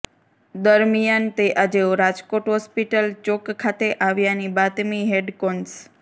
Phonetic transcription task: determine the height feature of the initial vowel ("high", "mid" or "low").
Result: mid